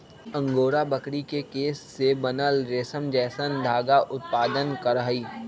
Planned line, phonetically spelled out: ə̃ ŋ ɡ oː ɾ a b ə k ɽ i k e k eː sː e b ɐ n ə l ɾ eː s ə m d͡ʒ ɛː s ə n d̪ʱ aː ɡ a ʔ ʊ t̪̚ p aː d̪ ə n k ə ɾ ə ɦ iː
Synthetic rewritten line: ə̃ ŋ ɡ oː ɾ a b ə k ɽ i k e k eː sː e b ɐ n ə l ɾ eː s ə m d͡ʒ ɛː s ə n d̪ʱ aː ɡ a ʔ ʊ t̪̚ p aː d̪ ə n k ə ɾ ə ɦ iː

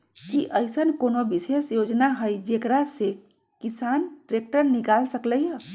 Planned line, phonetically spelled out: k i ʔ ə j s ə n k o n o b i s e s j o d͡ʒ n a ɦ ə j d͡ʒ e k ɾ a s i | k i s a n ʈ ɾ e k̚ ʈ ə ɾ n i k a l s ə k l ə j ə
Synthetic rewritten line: k i ʔ ə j s ə n k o n o b i s e s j o d͡ʒ n a ɦ ə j d͡ʒ e k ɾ a s e | k i s a n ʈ ɾ e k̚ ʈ ə ɾ n i k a l s ə k l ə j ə

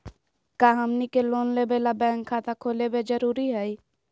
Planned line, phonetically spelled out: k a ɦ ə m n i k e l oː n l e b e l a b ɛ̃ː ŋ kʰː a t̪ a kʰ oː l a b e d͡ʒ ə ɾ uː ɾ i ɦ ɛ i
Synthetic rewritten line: k a ɦ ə m n i k e l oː n l e b e l a b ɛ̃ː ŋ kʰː a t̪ a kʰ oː l e b e d͡ʒ ə ɾ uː ɾ i ɦ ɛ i

